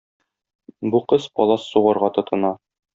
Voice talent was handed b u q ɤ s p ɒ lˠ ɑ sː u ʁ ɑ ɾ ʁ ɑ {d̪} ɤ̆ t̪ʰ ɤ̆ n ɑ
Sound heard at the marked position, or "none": t̪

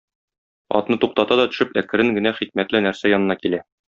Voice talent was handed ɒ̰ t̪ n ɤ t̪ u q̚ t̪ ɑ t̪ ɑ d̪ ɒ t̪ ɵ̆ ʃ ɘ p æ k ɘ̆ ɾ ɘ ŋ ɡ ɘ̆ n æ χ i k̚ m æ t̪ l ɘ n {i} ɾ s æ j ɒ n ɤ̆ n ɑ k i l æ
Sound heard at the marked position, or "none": æ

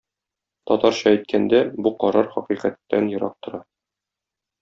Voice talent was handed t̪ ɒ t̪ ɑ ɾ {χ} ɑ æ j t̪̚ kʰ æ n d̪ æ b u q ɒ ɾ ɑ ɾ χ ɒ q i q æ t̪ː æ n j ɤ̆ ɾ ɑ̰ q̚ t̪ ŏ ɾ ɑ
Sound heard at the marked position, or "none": ɕ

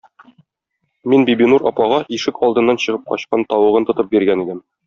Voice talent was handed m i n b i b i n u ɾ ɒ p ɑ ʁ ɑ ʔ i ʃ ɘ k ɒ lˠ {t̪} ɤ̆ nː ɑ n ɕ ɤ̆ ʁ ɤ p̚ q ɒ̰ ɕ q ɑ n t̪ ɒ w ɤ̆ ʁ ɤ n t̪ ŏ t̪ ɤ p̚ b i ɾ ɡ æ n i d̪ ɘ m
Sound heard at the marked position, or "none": d̪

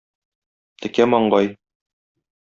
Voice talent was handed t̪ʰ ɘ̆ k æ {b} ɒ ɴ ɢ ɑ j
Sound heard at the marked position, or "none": m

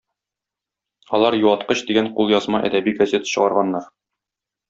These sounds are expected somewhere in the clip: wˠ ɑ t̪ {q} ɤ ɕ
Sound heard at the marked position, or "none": q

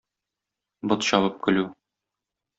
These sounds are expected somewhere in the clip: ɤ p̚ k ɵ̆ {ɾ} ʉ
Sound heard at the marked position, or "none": l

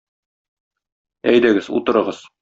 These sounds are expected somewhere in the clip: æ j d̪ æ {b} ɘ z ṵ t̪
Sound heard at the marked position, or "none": ɡ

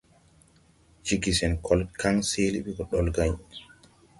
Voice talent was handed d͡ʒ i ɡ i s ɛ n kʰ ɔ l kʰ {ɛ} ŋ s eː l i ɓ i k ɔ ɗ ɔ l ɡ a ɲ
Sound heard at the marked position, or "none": a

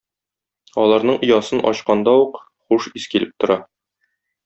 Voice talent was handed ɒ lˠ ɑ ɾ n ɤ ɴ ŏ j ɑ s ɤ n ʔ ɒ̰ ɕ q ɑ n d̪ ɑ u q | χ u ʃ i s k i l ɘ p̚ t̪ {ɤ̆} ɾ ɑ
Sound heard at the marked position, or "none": ŏ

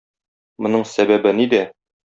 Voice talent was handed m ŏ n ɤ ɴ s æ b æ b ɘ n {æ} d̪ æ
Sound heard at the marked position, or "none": i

